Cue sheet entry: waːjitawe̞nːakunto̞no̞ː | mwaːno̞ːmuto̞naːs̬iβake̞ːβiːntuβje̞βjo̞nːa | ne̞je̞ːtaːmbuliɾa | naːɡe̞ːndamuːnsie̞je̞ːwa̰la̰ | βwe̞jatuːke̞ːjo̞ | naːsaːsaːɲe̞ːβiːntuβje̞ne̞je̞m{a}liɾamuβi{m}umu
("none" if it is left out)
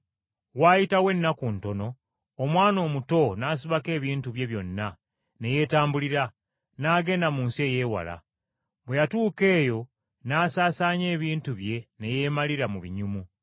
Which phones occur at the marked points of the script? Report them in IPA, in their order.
a, ɲ

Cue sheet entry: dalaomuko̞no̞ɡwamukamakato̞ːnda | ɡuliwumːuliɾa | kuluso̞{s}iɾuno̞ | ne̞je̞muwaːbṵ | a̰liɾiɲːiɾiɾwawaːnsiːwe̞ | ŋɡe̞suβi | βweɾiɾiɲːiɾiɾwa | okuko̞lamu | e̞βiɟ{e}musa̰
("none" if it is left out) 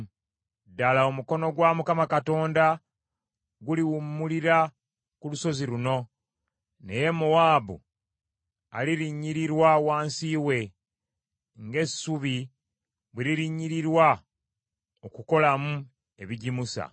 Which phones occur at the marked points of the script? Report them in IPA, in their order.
z, i

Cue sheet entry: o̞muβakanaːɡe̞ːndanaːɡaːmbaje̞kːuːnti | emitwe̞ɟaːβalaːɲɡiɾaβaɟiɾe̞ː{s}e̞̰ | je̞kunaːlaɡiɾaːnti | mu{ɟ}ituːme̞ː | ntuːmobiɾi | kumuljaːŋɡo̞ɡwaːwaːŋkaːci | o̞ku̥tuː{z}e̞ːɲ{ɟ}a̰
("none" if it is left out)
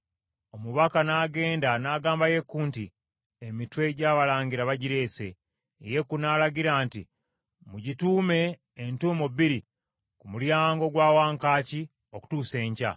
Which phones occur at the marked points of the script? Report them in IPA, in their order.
s, ɟ, s, c

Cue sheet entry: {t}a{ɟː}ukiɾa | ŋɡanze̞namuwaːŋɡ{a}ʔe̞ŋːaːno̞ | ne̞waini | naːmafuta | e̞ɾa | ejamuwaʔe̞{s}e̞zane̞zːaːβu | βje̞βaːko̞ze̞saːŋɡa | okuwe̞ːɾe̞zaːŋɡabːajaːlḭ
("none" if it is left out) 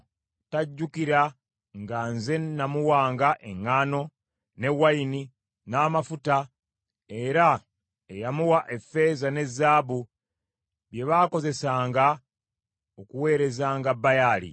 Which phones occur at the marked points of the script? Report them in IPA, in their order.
t, ɟː, a, f

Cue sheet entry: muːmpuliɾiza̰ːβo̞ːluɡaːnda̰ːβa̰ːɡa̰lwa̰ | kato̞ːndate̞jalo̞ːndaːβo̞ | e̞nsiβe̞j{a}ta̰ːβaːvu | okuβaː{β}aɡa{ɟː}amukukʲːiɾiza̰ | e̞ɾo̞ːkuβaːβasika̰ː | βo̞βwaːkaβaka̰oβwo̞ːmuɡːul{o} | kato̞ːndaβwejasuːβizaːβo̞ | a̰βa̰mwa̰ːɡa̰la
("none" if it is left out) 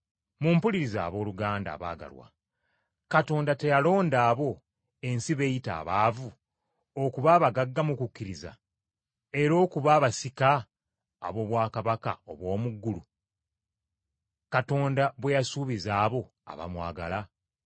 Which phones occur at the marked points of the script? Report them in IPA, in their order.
i, β, ɡː, u

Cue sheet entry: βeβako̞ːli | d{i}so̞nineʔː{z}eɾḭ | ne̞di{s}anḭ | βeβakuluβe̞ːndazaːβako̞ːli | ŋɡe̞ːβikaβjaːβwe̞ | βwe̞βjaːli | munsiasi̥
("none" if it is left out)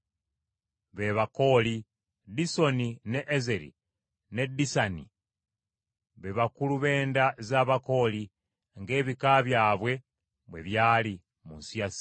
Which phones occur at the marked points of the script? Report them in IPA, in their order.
i, z, s

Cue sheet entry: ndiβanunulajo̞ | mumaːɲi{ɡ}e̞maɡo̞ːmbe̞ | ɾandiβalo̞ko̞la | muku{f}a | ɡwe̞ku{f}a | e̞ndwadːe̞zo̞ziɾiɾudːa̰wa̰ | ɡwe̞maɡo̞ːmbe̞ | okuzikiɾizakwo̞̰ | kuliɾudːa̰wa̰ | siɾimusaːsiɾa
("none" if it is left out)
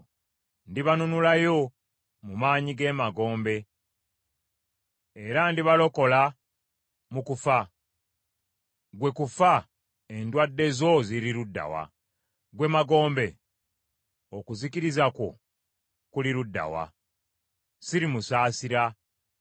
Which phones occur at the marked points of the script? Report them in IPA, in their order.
ɡ, f, f

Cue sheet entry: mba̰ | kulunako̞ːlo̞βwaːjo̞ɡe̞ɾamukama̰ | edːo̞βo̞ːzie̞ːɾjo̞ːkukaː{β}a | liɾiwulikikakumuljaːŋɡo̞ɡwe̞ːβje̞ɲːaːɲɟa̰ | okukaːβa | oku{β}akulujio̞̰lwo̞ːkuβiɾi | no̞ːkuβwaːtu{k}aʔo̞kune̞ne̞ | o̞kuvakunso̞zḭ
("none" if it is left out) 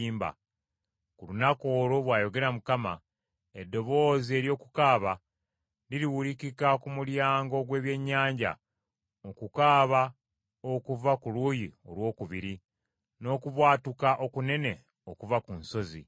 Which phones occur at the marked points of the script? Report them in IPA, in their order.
β, v, k

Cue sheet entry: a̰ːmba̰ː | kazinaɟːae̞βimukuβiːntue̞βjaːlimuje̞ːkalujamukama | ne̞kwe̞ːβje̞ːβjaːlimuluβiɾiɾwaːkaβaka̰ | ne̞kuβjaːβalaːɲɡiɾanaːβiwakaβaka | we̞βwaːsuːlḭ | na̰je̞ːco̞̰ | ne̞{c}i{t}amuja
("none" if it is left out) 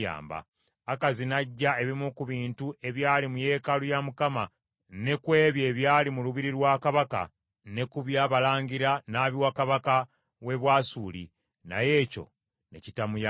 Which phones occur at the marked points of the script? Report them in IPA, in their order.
c, t

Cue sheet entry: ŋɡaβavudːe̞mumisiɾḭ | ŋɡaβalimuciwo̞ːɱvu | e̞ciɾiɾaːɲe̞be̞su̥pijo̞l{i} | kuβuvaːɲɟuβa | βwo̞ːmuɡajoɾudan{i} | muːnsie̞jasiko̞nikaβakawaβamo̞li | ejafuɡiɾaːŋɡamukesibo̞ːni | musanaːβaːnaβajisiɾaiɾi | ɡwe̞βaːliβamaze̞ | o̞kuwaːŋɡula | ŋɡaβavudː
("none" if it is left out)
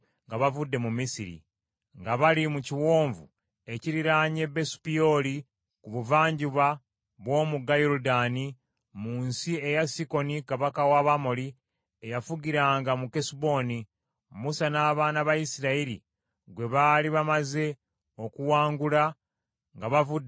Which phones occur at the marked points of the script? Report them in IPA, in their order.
i, i

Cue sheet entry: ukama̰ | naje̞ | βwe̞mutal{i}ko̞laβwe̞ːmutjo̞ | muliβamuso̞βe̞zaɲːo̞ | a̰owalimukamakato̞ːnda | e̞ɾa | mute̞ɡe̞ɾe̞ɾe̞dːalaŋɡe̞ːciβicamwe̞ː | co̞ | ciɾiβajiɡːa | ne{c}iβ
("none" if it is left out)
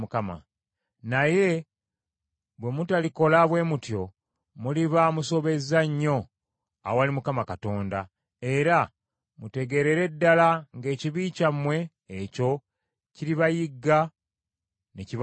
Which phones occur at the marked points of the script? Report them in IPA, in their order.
i, c

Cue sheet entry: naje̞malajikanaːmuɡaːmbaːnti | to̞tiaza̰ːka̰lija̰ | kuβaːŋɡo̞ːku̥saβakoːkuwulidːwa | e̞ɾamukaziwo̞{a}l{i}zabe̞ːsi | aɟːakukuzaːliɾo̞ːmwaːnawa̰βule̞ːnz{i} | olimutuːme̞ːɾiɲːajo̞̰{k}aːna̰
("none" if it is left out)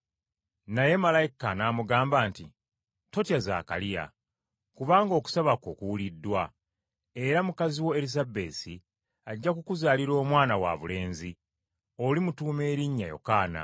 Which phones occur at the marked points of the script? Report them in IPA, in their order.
e, i, i, k

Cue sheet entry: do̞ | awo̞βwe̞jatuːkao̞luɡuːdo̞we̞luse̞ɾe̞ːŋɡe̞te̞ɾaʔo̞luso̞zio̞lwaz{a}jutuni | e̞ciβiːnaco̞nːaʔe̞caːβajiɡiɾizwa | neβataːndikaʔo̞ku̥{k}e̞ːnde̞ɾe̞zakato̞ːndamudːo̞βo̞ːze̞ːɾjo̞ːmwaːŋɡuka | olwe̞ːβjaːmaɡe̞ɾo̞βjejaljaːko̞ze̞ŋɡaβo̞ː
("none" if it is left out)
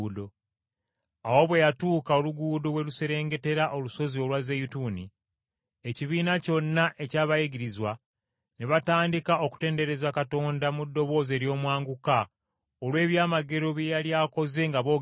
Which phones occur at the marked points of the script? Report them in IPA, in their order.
e, t

